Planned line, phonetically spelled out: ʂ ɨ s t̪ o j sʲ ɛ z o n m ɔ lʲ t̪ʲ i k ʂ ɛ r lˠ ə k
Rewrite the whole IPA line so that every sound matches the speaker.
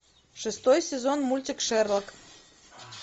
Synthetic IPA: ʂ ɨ s t̪ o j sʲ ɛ z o n m u lʲ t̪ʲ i k ʂ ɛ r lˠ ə k